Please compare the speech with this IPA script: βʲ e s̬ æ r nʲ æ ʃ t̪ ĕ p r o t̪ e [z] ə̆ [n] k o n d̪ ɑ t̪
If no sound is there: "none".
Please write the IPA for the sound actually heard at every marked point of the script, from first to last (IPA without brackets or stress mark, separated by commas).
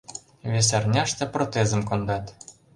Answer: z, m